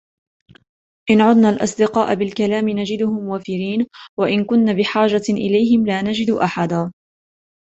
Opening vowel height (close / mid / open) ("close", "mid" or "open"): close